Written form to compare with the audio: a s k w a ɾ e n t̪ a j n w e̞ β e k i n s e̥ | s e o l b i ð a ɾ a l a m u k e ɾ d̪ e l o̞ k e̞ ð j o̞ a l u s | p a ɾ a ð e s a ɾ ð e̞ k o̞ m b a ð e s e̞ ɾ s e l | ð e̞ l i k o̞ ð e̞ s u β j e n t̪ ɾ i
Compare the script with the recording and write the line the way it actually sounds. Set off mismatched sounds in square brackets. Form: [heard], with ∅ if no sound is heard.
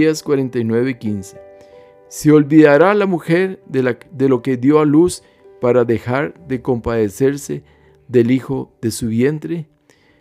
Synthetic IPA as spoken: a s k w a ɾ e n t̪ a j n w e̞ β e k i n s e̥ | s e o l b i ð a ɾ a l a m u [x] e ɾ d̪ e l o̞ k e̞ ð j o̞ a l u s | p a ɾ a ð e [x] a ɾ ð e̞ k o̞ m [p] a ð e s e̞ ɾ s e [∅] | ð e̞ l i [x] o̞ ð e̞ s u β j e n t̪ ɾ [e]